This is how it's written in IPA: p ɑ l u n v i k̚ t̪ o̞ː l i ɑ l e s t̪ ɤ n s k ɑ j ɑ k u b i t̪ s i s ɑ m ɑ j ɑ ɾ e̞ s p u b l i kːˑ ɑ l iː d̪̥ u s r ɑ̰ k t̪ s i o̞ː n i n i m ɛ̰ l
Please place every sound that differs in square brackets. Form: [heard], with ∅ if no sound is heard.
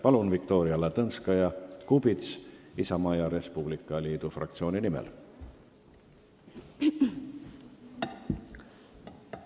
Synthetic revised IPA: p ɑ l u n v i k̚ t̪ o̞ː [ɾ] i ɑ l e [∅] t̪ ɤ n s k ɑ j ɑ k u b i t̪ s i s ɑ m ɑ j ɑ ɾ e̞ s p u b l i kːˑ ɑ l iː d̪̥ u [f] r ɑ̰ k t̪ s i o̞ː n i n i m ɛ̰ l

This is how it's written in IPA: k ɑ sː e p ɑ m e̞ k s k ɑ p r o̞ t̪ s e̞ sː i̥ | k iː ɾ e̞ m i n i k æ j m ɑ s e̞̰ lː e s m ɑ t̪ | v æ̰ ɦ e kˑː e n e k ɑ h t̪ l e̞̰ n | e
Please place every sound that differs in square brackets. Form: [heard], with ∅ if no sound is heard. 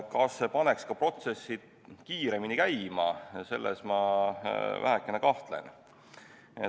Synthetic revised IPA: k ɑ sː e p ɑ [n] e̞ k s k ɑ p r o̞ t̪ s e̞ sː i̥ | k iː ɾ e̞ m i n i k æ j m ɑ s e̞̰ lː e s m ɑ [∅] | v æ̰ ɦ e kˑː e n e k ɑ h t̪ l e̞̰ n | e

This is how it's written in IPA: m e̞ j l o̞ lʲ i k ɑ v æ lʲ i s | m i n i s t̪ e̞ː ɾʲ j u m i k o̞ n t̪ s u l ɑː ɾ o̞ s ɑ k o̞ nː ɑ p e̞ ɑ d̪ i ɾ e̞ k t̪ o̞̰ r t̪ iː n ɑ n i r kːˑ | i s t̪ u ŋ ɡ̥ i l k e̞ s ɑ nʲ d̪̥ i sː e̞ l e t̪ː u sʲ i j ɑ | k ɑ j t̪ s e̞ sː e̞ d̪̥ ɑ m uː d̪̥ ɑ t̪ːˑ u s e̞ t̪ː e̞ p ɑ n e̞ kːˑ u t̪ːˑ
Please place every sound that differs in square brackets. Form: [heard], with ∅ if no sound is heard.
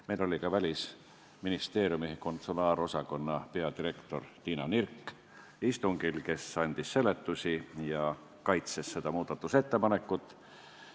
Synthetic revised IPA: m e̞ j l o̞ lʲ i k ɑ v æ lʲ i s | m i n i s t̪ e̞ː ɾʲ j u m i k o̞ n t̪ s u l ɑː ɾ o̞ s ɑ k o̞ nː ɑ p e̞ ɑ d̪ i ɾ e̞ k t̪ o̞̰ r t̪ iː n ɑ n i r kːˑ | i s t̪ u ŋ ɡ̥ i l k e̞ s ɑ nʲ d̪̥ i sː e̞ l e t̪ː u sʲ i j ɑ | k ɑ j t̪ s e̞ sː e̞ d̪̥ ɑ m uː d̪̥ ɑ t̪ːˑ u s e̞ t̪ː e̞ p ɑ n e̞ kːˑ u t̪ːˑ

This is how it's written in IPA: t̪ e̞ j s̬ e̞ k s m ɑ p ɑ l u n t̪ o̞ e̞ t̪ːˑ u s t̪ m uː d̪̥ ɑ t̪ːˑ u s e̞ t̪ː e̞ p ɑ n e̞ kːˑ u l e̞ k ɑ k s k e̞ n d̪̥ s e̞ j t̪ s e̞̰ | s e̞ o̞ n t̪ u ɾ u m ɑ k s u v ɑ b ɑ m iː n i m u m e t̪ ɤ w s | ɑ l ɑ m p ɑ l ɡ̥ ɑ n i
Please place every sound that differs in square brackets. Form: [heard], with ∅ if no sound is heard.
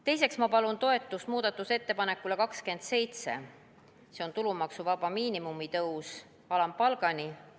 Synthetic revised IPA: t̪ e̞ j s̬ e̞ k s m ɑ p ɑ l u n t̪ o̞ e̞ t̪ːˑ u s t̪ m uː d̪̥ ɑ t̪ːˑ u s e̞ t̪ː e̞ p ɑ n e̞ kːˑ u l e̞ k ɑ k s k e̞ n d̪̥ s e̞ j t̪ s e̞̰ | s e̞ o̞ n t̪ u [l] u m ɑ k s u v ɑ b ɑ m iː n i m u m [i] t̪ ɤ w s | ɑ l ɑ m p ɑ l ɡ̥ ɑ n i

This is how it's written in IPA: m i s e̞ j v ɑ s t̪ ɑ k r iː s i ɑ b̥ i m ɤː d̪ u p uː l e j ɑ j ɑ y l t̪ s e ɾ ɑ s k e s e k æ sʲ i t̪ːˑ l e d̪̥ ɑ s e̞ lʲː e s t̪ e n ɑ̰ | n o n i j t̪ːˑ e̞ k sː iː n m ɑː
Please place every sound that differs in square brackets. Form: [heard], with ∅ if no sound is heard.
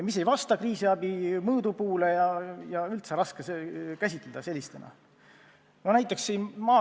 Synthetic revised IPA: m i s e̞ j v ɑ s t̪ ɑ k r iː s i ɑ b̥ i m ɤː d̪ u p uː l e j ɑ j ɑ y l t̪ s e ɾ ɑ s k e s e k æ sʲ i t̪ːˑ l e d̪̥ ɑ s e̞ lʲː [i] s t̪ e n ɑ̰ | n o n [æ] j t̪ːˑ e̞ k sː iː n m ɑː

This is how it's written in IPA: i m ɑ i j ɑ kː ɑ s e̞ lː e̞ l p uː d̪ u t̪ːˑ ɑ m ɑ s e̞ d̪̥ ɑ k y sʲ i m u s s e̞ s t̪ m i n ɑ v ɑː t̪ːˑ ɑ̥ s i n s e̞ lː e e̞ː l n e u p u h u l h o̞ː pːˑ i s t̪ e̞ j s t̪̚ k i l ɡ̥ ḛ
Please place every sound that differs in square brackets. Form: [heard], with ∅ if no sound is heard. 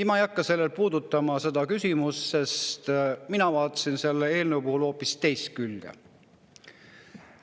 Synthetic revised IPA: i m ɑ [e] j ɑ kː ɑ s e̞ lː e̞ l p uː d̪ u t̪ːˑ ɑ m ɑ s e̞ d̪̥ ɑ k y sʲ i m u s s e̞ s t̪ m i n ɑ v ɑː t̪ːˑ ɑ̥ s i n s e̞ lː e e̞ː l n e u p u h u l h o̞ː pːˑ i s t̪ e̞ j s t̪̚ k [y] l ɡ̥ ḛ

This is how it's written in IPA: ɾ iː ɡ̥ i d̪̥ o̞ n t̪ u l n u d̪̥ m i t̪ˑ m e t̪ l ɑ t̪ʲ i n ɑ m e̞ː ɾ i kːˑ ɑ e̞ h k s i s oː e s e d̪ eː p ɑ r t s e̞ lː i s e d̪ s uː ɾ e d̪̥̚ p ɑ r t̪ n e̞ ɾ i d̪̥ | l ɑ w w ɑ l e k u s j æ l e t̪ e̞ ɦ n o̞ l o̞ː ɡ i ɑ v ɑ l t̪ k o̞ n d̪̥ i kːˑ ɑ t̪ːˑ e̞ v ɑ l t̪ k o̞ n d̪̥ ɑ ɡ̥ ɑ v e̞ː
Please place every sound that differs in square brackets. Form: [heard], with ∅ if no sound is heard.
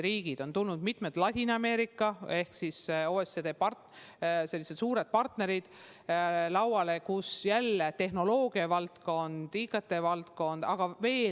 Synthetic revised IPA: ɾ iː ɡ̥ i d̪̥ o̞ n t̪ u l n u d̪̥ m i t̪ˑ m e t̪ l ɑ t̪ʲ i n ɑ m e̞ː ɾ i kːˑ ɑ e̞ h k s i s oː e s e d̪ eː p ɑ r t s e̞ lː i s e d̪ s uː ɾ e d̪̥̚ p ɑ r t̪ n e̞ ɾ i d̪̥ | l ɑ w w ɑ l e k u s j æ [lː] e t̪ e̞ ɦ n o̞ l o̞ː ɡ i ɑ v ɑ l t̪ k o̞ n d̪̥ i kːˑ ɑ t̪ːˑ e̞ v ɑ l t̪ k o̞ n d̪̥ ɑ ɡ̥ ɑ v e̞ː

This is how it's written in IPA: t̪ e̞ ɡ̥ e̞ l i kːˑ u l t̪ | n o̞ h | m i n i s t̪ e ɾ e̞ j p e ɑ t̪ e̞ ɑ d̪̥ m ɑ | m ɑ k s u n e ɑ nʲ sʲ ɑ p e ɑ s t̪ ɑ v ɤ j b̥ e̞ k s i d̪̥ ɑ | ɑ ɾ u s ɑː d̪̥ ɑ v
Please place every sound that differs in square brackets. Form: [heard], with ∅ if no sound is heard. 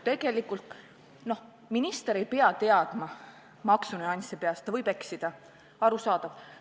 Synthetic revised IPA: t̪ e̞ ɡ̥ e̞ l i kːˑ u l t̪ | n o̞ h | m i n i s t̪ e ɾ e̞ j p e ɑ t̪ e̞ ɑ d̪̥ m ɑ | m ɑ k s u n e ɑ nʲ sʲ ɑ p e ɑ s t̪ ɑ v ɤ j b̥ e̞ k s i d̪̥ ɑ | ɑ ɾ u s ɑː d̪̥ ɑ v

